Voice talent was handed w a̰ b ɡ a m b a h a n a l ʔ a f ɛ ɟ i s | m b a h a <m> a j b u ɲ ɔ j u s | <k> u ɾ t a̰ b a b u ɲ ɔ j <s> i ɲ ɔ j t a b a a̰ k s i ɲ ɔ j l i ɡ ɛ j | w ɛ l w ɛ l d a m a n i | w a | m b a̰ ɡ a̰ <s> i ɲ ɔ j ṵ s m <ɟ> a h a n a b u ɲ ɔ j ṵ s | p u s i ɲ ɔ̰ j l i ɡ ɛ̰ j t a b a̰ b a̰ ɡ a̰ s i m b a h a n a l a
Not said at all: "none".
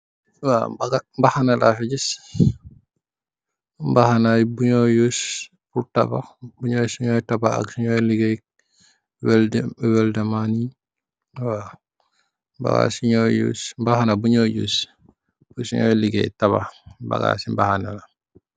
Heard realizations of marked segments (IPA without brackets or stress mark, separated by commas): n, p, s, s, b